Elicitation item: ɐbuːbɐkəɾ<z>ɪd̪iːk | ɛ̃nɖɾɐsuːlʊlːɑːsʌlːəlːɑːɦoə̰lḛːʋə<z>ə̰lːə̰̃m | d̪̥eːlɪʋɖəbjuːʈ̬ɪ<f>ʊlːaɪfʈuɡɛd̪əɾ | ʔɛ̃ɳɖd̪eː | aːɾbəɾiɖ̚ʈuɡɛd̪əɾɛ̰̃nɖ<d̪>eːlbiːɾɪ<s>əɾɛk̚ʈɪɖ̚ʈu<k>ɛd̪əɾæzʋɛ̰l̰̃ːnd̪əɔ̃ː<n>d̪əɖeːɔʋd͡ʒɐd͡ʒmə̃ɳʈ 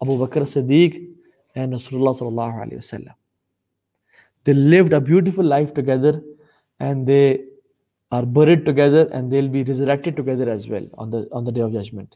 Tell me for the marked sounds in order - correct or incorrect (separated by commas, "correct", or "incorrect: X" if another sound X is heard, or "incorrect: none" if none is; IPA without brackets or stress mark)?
incorrect: s, incorrect: s, correct, correct, incorrect: z, incorrect: ɡ, correct